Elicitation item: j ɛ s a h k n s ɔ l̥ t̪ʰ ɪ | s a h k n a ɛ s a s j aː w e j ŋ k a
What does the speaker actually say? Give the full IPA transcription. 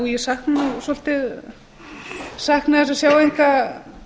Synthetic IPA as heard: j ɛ s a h k n s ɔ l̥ t̪ ɪ | s a h k n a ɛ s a s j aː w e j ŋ k a

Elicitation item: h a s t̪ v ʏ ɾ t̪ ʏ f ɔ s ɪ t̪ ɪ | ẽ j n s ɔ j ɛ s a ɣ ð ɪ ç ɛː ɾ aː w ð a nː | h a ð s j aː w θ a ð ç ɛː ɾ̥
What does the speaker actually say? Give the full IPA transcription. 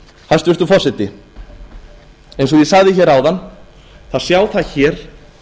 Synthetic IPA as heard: h a s t̪ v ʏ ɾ t̪ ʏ f ɔ s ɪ t̪ ɪ | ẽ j n s ɔ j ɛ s a ɣ ð ɪ ç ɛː ɾ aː w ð a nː | θ a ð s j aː w θ a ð ç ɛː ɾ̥

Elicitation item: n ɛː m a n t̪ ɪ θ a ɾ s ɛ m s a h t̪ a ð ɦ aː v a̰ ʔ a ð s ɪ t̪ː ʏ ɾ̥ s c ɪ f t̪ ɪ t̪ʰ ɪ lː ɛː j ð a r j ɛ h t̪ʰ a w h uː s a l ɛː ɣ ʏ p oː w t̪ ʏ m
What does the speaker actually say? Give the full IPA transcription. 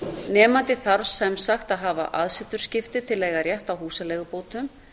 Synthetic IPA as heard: n ɛː m a n t̪ ɪ θ a ɾ s ɛ m s a x t̪ a ð ɦ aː v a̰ ʔ a ð s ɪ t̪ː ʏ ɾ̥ s c ɪ f t̪ ɪ t̪ʰ ɪ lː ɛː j ɣ a r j ɛ h t̪ a w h uː s a l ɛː ɣ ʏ p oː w t̪ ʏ m

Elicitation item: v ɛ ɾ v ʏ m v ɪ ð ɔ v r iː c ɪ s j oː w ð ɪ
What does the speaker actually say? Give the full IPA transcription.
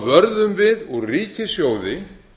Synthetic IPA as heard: v œ ɾ ð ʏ m v ɪ ð ɔ ɣ r iː c ɪ s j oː w ð ɪ

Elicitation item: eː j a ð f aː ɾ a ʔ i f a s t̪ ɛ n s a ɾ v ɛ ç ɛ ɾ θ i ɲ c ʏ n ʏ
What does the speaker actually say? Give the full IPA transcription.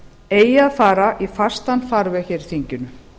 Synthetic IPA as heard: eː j a ð f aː ɾ a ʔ i f a s t̪ a n f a ɾ v ɛ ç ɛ ɾ θ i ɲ c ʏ n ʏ

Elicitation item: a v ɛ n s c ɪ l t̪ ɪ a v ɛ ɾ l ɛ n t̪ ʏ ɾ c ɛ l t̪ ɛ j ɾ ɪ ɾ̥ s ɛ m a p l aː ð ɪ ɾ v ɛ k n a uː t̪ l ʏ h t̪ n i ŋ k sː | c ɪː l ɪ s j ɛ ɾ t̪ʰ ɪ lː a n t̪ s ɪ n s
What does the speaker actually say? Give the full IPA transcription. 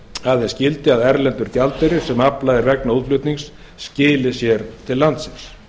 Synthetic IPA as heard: a ð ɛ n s c ɪ l t̪ ɪ a ð ɛ ɾ l ɛ n t̪ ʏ ɾ c a l t̪ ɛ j ɾ ɪ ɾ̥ s ɛ m a p l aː ð ɪ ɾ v ɛ k n a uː t̪ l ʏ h t̪ n i ŋ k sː | c ɪː l ɪ s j ɛ ɾ t̪ʰ ɪ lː a n t̪ s ɪ n s

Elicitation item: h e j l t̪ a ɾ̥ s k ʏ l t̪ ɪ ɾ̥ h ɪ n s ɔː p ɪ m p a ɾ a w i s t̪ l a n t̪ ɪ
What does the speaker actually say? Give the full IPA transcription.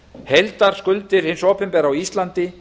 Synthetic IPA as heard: h e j l t̪ a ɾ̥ s k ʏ l t̪ ɪ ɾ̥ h ɪ n s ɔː p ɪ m p ɛ ɾ a w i s t̪ l a n t̪ ɪ

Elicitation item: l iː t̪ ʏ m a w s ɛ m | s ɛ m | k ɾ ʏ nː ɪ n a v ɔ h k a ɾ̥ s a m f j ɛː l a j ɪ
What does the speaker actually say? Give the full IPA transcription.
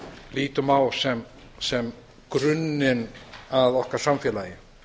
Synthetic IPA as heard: l iː t̪ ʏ m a w s ɛ m | s ɛ m | k ɾ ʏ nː ɪ n a ð ɔ h k a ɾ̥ s a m f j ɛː l a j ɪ

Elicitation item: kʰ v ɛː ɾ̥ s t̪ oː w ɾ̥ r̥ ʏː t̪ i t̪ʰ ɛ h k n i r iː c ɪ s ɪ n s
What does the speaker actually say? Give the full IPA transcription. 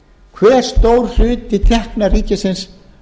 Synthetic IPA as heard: kʰ v ɛː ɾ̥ s t̪ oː w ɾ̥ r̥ ʏː t̪ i t̪ʰ ɛ h k n a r iː c ɪ s ɪ n s

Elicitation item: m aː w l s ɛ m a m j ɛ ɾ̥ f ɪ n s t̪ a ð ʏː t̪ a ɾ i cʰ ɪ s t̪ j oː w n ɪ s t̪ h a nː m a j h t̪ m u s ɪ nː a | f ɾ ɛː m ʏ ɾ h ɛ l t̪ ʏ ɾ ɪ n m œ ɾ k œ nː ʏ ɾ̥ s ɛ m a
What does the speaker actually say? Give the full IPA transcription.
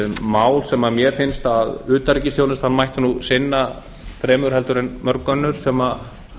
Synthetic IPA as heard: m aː w l s ɛ m a m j ɛ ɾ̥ f ɪ n s t̪ a ð ʏː t̪ a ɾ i c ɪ s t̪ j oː w n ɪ s t̪ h a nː m a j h t̪ n u s ɪ nː a | f ɾ ɛː m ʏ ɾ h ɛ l t̪ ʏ ɾ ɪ n m œ ɾ k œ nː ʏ ɾ̥ s ɛ m a

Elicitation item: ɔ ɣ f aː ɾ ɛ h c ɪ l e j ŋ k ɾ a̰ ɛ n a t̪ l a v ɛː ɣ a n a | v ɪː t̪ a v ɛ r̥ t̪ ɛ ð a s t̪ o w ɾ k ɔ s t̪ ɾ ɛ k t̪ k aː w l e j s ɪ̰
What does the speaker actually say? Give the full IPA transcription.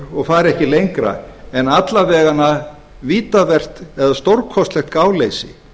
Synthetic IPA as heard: ɔ ɣ f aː ɾ ɛ h c ɪ l e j ŋ k ɾ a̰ ɛ n a t̪ l a v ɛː ɣ a n a | v iː t̪ a v ɛ r̥ t̪ ɛ ð a s t̪ o w ɾ kʰ ɔ s t̪ l ɛ x t̪ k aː w l e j s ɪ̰

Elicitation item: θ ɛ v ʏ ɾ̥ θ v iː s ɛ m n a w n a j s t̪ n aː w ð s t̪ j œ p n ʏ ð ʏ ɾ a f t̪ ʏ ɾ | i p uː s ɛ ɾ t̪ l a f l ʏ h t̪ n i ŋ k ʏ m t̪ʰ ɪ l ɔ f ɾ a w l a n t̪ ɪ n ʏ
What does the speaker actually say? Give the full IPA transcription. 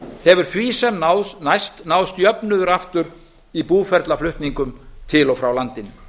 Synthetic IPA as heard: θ ɛ v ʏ ɾ̥ θ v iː s ɛ m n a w n a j s t̪ n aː w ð s t̪ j œ p n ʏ ð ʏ ɾ a f t̪ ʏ ɾ | i p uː f ɛ ɾ t̪ l a f l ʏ h t̪ n i ŋ k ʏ m t̪ʰ ɪ l ɔ f ɾ a w l a n t̪ ɪ n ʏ

